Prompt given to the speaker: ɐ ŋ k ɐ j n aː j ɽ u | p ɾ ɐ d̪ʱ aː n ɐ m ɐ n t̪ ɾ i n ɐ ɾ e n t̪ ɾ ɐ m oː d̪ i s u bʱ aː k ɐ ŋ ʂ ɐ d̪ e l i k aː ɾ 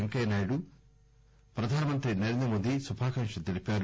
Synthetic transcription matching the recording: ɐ ŋ k ɐ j n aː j ɽ u | p ɾ ɐ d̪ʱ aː n ɐ m ɐ n t̪ ɾ i n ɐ ɾ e n d̪ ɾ ɐ m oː d̪ i s u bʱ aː k ɐ ŋ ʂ ɐ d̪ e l i p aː ɾ